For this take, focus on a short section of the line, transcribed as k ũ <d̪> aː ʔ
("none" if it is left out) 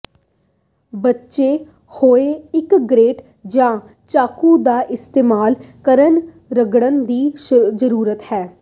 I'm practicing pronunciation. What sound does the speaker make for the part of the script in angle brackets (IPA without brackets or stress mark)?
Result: d̪